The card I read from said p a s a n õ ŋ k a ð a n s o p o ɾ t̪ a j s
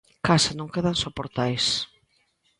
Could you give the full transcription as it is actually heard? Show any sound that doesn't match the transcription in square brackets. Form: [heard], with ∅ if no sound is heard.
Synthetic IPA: [k] a s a n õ ŋ k [e] ð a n s o p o ɾ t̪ a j s